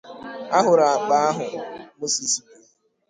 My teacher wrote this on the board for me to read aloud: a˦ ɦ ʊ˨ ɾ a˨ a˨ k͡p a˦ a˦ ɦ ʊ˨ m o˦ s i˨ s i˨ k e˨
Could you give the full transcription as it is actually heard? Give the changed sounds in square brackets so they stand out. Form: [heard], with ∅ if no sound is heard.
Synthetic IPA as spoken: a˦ ɦ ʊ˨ ɾ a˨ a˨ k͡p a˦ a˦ ɦ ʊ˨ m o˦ s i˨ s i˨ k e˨